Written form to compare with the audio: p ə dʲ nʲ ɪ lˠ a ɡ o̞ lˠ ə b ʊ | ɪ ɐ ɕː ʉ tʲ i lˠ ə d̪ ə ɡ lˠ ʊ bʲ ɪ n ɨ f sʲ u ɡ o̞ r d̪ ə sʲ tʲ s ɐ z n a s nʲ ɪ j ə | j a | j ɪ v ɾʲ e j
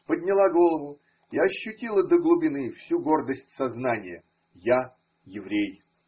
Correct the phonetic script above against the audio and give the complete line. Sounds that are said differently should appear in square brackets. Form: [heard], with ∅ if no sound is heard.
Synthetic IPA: p ə dʲ nʲ ɪ lˠ a ɡ o̞ lˠ ə [v] ʊ | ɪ ɐ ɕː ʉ tʲ i lˠ ə d̪ ə ɡ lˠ ʊ bʲ ɪ n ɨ f sʲ u ɡ o̞ r d̪ ə sʲ tʲ s ɐ z n a [∅] nʲ ɪ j ə | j a | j ɪ v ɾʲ e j

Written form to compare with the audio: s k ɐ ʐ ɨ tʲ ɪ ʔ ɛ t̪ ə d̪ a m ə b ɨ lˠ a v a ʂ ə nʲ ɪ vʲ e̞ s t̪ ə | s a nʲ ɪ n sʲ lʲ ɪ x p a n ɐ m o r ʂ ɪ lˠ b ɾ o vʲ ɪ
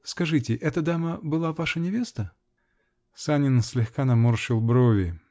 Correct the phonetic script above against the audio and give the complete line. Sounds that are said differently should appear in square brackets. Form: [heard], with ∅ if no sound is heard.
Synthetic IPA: s k ɐ ʐ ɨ tʲ ɪ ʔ ɛ t̪ ə d̪ a m ə b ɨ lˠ a v a ʂ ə nʲ ɪ vʲ e̞ s t̪ ə | s a nʲ ɪ n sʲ lʲ ɪ x [k] a n ɐ m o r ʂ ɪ lˠ b ɾ o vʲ ɪ

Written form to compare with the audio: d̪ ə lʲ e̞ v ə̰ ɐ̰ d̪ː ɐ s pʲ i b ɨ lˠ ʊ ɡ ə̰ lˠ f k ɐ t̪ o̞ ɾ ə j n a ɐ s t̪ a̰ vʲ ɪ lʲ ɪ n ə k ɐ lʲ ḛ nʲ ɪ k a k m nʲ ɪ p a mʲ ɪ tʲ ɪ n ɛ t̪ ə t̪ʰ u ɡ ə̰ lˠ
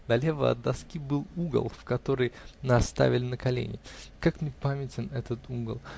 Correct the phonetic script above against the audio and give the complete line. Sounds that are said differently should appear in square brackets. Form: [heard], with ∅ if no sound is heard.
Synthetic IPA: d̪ [ɐ] lʲ e̞ v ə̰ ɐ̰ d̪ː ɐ s [kʲ] i b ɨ lˠ [u] ɡ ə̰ lˠ f k ɐ t̪ o̞ ɾ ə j n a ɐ s t̪ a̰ vʲ ɪ lʲ ɪ n ə k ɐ lʲ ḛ nʲ ɪ k a k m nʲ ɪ p a mʲ ɪ tʲ ɪ n ɛ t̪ ə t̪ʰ u ɡ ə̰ lˠ

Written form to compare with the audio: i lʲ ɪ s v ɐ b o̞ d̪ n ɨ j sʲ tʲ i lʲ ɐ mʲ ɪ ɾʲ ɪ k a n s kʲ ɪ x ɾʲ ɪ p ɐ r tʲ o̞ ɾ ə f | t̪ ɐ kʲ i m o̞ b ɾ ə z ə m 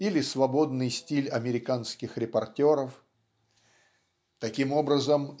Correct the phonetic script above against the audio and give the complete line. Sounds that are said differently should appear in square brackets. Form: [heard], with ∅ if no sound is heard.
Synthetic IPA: i lʲ ɪ s v ɐ b o̞ d̪ n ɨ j sʲ tʲ i lʲ ɐ mʲ ɪ ɾʲ ɪ k a n s kʲ ɪ x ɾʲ ɪ p ɐ r tʲ o̞ ɾ ə f | t̪ ɐ kʲ i m o̞ b ɾ ə z ə m

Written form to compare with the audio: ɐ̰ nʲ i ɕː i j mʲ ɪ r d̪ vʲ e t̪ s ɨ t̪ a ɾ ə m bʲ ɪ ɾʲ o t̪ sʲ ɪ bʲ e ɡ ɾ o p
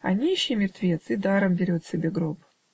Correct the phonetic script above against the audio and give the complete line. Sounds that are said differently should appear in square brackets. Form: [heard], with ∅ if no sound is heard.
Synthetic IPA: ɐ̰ nʲ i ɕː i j mʲ ɪ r [t̪] vʲ e t̪ s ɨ [d̪] a ɾ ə m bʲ ɪ ɾʲ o t̪ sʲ ɪ bʲ e ɡ ɾ o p

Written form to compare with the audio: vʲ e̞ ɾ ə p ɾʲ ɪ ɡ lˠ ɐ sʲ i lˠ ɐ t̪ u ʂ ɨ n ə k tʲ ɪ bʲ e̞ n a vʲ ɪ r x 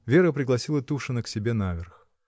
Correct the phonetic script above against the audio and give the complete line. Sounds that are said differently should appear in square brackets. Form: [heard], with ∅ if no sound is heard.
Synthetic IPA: vʲ e̞ ɾ ə p ɾʲ ɪ ɡ lˠ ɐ sʲ i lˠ [ə] t̪ u ʂ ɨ n ə k [sʲ] ɪ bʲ e̞ n a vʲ ɪ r x

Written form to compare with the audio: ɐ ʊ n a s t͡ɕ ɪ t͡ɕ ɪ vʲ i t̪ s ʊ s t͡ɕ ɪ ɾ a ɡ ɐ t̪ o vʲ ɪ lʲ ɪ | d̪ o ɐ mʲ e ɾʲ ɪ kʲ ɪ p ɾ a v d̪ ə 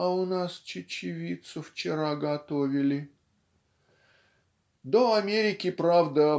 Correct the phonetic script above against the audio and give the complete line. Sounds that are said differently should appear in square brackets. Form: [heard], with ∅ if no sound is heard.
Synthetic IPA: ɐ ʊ n a s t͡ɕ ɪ t͡ɕ ɪ vʲ i t̪ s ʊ [f] t͡ɕ ɪ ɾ a ɡ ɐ t̪ o vʲ ɪ lʲ ɪ | d̪ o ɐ mʲ e ɾʲ ɪ kʲ ɪ p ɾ a v d̪ ə

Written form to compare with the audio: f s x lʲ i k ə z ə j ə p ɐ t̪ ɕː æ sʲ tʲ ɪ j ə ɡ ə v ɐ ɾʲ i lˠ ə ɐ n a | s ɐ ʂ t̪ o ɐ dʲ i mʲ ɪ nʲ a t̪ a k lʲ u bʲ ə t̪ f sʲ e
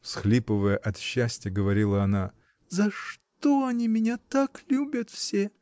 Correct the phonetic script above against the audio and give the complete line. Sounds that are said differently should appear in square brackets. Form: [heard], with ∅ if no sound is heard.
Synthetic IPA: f s x lʲ i [p] ə [v] ə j ə [ʔ] ɐ t̪ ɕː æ sʲ tʲ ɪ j ə ɡ ə v ɐ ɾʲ i lˠ ə ɐ n a | [z] ɐ ʂ t̪ o ɐ [nʲ] i mʲ ɪ nʲ a t̪ a k lʲ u bʲ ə t̪ f sʲ e

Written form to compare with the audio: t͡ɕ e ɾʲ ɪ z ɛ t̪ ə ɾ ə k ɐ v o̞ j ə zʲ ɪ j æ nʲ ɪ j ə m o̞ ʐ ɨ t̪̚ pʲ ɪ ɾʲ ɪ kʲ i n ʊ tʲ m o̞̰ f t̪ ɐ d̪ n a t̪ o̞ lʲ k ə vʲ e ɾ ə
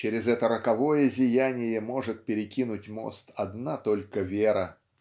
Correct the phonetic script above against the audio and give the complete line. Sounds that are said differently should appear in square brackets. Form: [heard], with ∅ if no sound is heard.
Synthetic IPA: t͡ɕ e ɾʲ ɪ z ɛ t̪ ə ɾ ə k ɐ v o̞ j ə zʲ ɪ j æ nʲ ɪ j ə m o̞ ʐ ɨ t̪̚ pʲ ɪ ɾʲ ɪ kʲ i n ʊ tʲ m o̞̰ [s] t̪ ɐ d̪ n a t̪ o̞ lʲ k ə vʲ e ɾ ə

